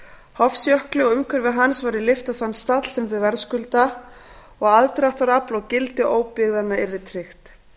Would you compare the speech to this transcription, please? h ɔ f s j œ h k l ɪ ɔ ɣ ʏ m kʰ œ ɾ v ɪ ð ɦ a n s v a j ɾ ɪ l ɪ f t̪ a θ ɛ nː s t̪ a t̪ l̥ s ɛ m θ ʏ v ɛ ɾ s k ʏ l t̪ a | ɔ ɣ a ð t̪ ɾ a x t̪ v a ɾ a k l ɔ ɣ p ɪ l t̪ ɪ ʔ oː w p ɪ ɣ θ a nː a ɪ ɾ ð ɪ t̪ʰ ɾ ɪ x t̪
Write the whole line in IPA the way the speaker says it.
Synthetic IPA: h ɔ f s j œ h k l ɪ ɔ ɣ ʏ m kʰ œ ɾ v ɪ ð ɦ a n s v a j ɾ ɪ l ɪ f t̪ a θ a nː s t̪ a t̪ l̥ s ɛ m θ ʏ v ɛ ɾ s k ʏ l t̪ a | ɔ ɣ a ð t̪ ɾ a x t̪ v a ɾ a p l ɔ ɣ c ɪ l t̪ ɪ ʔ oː w p ɪ ɣ ð a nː a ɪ ɾ ð ɪ t̪ʰ ɾ ɪ x t̪